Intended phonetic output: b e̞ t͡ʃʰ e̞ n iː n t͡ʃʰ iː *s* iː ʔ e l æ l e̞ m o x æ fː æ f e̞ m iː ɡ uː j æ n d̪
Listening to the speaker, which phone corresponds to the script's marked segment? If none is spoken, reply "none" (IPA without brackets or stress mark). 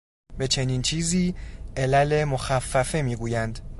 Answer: z